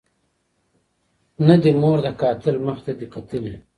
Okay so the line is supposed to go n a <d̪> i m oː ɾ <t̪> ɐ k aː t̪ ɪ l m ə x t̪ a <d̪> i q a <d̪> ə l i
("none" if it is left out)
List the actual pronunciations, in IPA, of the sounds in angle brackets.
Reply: d̪, d̪, d̪, t̪

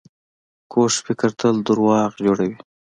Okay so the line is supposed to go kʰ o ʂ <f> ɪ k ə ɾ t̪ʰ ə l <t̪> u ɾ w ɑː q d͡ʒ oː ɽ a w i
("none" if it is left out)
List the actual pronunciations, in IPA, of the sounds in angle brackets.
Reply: f, d̪

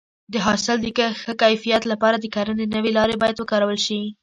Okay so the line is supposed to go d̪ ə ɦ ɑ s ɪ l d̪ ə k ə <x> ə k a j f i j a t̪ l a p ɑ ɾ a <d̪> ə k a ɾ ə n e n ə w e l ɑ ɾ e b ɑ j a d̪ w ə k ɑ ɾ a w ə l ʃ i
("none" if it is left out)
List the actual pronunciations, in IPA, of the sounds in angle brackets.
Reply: x, d̪

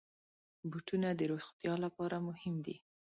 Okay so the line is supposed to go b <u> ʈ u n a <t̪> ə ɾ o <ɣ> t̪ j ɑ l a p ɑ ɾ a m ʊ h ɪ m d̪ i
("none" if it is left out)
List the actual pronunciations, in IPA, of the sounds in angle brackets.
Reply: u, d̪, x

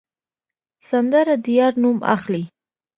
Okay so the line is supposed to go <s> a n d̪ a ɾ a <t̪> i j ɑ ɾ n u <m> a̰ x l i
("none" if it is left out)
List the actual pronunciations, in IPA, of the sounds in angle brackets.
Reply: s, d̪, m

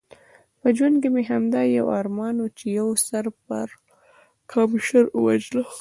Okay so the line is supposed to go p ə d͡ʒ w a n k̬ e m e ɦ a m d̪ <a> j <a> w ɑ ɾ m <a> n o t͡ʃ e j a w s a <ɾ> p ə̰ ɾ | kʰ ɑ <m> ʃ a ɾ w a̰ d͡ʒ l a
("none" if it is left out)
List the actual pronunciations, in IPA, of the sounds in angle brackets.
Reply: ɑ, a, ɑ, ɾ, m

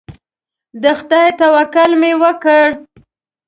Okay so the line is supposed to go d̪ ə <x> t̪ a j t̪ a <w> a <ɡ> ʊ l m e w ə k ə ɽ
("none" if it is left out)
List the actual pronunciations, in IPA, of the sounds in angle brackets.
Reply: x, w, k

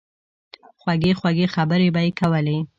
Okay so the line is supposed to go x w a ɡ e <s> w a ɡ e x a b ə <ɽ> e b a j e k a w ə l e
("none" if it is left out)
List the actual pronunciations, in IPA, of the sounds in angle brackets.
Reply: x, ɾ

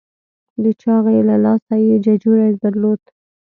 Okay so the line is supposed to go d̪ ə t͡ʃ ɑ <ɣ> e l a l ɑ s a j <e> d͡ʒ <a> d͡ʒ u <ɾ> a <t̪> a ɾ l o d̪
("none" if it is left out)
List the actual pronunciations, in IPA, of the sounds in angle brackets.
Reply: ɣ, e, a, ɾ, d̪

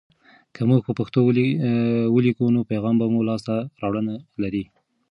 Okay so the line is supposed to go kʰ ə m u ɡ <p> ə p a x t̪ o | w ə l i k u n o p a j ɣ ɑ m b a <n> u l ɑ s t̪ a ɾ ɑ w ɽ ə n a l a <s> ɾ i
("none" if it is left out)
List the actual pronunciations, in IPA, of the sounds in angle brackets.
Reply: p, m, none

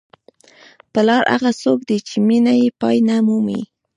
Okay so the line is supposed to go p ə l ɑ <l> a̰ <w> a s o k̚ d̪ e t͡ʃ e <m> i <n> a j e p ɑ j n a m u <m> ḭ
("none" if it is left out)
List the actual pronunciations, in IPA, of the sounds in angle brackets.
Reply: ɾ, ɣ, m, n, m

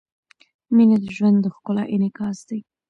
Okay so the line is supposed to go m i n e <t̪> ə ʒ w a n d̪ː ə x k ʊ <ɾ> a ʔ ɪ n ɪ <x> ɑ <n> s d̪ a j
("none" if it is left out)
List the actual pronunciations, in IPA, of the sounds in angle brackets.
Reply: d̪, l, k, none

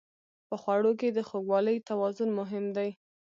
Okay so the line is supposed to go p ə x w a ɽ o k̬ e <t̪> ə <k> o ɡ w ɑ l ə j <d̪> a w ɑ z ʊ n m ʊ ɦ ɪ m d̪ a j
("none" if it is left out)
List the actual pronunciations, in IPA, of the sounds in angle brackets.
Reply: d̪, x, t̪

